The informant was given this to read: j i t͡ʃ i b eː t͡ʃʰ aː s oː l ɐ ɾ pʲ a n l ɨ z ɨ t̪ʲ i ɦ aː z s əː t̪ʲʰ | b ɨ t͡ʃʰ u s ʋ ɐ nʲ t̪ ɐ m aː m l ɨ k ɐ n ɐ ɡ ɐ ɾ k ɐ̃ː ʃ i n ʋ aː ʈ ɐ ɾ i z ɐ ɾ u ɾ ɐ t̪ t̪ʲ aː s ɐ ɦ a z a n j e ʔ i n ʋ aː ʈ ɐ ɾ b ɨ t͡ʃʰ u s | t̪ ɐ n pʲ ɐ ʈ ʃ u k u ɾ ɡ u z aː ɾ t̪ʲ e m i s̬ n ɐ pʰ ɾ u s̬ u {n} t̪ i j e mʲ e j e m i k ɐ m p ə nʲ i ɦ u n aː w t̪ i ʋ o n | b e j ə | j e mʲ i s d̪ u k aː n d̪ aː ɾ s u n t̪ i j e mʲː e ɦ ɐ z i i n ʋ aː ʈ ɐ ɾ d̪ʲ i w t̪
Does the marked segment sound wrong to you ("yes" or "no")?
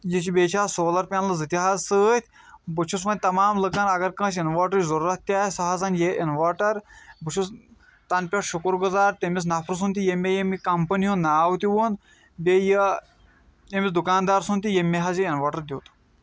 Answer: no